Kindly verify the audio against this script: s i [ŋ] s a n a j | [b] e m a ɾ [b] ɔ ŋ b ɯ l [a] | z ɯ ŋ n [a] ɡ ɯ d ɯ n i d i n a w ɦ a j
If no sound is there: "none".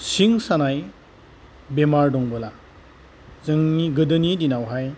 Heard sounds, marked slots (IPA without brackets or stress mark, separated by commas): ŋ, b, d, a, i